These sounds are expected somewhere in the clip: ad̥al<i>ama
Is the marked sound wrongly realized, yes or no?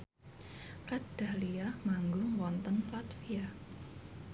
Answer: no